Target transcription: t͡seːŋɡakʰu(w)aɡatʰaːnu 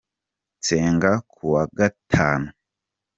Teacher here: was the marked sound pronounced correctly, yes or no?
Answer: yes